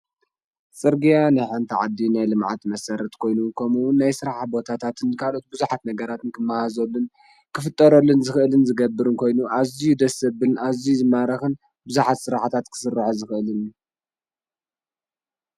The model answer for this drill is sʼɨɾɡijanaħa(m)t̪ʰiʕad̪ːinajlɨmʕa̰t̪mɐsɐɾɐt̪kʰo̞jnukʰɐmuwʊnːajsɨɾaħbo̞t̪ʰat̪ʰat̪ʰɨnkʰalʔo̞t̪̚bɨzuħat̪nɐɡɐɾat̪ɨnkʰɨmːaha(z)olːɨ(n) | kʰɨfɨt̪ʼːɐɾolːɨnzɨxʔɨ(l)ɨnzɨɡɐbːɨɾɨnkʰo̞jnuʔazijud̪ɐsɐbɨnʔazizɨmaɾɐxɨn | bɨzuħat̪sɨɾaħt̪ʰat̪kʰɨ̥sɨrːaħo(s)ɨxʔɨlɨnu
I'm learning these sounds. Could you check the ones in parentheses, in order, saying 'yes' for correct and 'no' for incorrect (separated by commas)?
no, yes, yes, yes, no